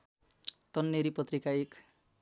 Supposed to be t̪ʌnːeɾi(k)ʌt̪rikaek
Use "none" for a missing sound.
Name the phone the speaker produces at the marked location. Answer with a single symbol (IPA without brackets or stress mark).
p